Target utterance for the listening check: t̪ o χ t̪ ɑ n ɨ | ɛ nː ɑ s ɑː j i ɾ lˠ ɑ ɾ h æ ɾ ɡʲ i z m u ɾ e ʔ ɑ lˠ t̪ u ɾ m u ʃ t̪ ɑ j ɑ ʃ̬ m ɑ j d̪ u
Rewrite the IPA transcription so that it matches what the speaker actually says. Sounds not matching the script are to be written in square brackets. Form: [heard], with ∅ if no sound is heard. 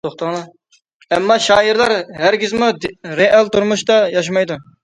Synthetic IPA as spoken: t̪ o χ t̪ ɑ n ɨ | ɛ [mː] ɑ [ʃ] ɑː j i ɾ lˠ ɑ ɾ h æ ɾ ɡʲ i z m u ɾ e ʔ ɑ lˠ t̪ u ɾ m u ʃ t̪ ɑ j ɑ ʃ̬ m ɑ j d̪ u